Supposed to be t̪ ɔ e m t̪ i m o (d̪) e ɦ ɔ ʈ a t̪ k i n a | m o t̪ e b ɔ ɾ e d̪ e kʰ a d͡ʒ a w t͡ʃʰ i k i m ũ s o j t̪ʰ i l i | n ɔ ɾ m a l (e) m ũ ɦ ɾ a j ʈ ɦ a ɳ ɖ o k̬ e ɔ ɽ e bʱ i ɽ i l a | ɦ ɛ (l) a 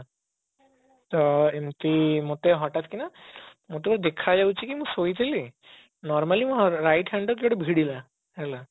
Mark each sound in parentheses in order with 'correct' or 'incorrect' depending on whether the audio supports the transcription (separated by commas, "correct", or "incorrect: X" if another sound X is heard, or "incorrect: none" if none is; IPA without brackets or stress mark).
incorrect: t̪, incorrect: i, correct